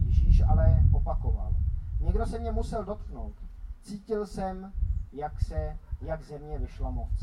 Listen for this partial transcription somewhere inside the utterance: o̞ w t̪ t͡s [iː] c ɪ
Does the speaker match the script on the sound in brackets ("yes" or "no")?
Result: yes